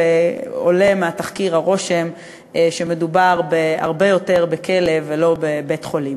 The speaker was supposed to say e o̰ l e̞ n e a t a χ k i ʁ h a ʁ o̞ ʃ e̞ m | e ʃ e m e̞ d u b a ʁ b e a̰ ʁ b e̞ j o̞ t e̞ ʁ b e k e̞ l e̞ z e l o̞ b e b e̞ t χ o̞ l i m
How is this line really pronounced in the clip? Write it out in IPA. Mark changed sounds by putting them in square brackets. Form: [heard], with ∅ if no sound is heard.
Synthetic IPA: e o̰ l e̞ [m] e a t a χ k i ʁ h a ʁ o̞ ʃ e̞ m | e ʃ e m e̞ d u b a ʁ b e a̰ ʁ b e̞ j o̞ t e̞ ʁ b e k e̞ l e̞ [v] e l o̞ b e b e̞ t χ o̞ l i m